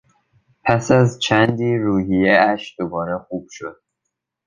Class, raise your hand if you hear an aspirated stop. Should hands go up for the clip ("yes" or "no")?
yes